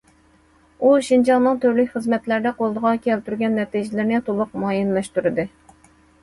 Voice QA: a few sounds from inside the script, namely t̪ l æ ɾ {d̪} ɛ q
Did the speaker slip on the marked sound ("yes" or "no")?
no